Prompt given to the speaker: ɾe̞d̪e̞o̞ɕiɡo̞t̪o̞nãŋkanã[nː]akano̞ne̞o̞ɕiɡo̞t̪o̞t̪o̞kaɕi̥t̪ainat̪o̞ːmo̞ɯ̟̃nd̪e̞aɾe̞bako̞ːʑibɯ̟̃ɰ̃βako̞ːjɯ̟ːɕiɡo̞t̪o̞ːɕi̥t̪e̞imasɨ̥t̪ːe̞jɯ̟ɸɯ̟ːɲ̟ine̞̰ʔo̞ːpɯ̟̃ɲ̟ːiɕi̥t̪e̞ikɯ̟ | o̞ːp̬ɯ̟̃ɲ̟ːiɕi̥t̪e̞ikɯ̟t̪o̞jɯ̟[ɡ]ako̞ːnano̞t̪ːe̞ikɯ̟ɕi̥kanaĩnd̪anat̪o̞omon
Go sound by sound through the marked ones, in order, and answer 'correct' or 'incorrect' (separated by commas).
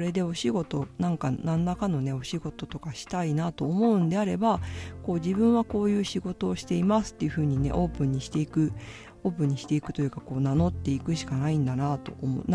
correct, incorrect